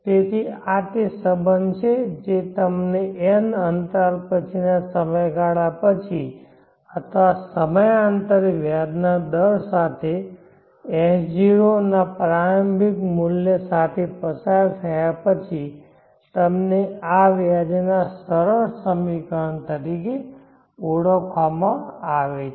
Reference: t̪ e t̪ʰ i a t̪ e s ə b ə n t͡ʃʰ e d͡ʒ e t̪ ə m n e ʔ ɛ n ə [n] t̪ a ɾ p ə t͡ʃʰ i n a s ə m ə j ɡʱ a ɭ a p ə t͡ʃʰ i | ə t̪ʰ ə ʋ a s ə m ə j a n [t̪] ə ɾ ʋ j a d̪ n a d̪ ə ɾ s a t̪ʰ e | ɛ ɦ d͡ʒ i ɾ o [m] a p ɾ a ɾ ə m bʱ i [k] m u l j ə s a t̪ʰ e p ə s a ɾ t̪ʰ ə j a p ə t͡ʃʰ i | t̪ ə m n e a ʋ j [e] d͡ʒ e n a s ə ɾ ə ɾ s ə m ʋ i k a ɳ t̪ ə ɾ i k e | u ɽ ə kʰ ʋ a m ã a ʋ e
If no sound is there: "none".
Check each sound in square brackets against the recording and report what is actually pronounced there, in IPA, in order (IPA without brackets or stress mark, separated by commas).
n, t̪, n, k, a